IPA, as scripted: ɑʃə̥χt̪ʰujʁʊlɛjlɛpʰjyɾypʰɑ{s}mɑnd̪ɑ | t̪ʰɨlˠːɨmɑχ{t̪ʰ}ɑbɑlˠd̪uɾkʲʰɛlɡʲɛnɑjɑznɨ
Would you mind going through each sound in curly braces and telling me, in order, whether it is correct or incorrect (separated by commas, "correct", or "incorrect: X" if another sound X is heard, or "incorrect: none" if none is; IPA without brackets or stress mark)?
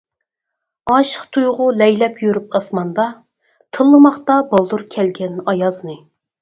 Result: correct, incorrect: t̪